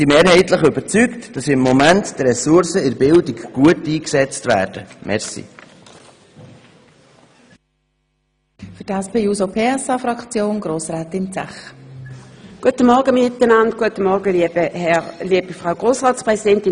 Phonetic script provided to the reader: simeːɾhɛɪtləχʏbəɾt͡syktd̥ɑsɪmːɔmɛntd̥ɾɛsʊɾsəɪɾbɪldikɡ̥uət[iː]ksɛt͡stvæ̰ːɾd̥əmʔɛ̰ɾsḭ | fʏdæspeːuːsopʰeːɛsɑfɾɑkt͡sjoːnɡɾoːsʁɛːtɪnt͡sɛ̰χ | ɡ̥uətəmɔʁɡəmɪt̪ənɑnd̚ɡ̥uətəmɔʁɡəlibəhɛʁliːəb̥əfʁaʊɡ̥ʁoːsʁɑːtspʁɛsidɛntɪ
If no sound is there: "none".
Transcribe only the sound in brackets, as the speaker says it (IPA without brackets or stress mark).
iː